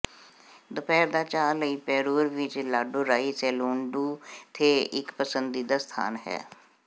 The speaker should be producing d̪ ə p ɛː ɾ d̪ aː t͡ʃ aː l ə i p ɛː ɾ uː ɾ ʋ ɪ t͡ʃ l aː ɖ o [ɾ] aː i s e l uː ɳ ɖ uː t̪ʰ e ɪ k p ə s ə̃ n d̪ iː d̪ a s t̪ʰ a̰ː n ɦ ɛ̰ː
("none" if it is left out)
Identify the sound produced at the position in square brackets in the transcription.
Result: ɾ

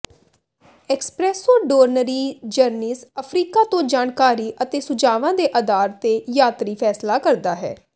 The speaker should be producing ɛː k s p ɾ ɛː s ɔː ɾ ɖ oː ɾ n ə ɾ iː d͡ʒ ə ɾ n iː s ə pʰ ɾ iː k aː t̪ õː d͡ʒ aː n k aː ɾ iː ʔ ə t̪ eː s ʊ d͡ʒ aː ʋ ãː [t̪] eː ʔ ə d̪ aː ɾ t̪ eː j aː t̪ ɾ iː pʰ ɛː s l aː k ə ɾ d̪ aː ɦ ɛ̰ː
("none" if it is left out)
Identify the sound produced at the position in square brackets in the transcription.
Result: d̪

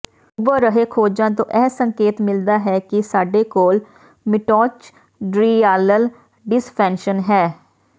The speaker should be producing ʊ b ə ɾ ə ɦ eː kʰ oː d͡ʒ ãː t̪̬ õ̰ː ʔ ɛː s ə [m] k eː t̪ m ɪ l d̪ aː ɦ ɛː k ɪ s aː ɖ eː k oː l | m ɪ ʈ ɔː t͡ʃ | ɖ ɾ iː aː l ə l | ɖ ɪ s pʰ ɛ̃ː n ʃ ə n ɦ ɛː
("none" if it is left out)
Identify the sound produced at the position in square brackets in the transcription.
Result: ŋ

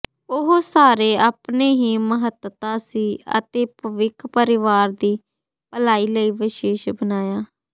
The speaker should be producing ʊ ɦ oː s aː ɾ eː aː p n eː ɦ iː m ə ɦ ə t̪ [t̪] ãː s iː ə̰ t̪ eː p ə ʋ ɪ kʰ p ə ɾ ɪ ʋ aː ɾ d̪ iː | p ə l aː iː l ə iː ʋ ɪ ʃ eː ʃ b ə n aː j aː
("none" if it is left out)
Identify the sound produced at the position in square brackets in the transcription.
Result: t̪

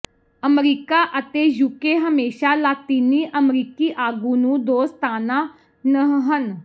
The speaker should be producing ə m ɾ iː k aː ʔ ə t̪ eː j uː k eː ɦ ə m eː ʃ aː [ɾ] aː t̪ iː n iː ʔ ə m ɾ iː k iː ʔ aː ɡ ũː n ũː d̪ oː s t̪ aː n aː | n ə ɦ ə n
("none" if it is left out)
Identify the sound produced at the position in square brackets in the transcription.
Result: l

